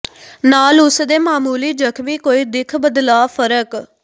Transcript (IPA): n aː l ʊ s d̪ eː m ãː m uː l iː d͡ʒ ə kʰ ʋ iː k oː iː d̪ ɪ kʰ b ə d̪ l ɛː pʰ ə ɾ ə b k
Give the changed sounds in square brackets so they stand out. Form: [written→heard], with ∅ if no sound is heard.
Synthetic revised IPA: n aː l ʊ s d̪ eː m [ãː→aː] m uː l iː d͡ʒ ə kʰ ʋ iː k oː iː d̪ ɪ kʰ b ə d̪ l [ɛː→aː] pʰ ə ɾ ə [b→∅] k